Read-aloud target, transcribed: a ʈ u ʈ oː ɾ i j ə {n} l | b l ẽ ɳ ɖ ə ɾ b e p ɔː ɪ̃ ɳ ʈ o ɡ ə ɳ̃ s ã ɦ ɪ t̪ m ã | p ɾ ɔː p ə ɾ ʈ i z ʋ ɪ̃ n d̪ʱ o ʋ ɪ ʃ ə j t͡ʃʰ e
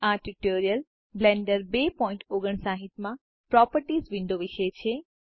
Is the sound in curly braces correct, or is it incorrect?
incorrect